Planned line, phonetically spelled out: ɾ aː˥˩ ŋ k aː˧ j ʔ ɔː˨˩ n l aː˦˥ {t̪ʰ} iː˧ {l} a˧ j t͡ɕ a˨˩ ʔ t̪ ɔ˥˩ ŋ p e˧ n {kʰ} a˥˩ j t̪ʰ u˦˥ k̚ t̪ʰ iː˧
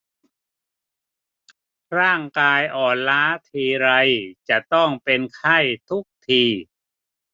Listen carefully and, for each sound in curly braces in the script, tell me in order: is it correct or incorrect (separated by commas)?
correct, incorrect, correct